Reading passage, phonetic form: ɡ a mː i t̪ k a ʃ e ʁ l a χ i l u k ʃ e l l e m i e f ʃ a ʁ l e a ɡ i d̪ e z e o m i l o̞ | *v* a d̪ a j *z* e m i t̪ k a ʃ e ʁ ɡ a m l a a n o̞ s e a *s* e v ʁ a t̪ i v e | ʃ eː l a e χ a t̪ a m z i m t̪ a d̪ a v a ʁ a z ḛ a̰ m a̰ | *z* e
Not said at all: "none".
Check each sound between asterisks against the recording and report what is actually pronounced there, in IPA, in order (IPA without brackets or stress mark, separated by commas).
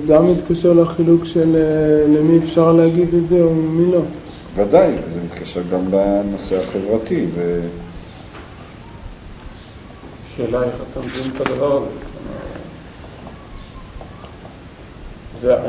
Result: v, z, χ, z